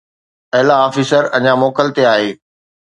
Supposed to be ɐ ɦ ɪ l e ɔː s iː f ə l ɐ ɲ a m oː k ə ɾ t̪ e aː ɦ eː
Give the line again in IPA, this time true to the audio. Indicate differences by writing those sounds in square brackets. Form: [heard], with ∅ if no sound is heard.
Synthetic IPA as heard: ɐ ɦ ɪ l [a] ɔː [f] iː [s] ə [ɾ] ɐ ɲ a m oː k ə [l] t̪ e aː ɦ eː